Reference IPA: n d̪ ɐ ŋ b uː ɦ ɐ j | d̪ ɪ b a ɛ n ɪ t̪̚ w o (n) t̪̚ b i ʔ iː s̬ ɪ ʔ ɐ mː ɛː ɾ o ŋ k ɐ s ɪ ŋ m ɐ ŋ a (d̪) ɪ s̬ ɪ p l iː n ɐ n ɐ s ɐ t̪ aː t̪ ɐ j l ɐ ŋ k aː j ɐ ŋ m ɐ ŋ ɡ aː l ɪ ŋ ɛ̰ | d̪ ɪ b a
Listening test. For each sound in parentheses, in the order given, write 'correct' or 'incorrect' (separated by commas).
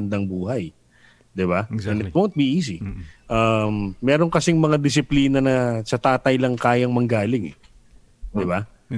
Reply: correct, correct